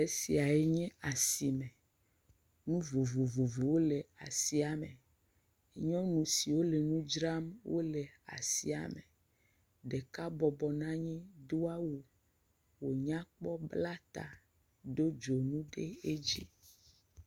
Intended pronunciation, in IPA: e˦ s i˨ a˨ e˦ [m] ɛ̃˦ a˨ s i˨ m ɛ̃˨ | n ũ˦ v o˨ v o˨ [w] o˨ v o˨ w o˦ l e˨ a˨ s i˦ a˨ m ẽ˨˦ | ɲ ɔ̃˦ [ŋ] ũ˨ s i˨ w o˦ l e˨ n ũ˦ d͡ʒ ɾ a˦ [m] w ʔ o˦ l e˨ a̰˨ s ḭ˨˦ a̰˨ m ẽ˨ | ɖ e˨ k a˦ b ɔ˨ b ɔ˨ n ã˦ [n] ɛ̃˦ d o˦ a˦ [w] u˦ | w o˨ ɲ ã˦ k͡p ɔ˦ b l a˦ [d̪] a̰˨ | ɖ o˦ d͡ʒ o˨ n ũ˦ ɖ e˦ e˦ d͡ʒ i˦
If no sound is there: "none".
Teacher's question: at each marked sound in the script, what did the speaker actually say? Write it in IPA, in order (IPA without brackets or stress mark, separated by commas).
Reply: ɲ, v, n, m, ɲ, w, t̪